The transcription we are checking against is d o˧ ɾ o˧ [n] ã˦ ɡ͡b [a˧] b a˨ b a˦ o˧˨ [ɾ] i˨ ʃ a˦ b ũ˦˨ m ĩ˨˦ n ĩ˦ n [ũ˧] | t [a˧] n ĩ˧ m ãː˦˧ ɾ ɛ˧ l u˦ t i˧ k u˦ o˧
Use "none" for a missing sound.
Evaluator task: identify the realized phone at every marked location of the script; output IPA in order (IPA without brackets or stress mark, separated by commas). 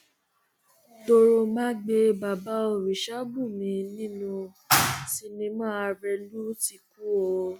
m, e˧, ɾ, ũ˧, i˧